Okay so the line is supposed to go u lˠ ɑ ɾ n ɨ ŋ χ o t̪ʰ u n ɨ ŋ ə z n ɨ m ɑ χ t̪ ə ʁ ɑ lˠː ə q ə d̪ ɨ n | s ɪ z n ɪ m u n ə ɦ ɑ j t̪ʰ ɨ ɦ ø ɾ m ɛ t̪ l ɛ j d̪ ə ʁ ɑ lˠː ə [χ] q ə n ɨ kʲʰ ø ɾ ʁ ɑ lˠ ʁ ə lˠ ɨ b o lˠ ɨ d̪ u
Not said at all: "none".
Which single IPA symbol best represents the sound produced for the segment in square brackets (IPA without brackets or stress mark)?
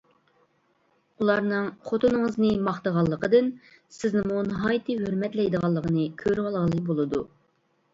none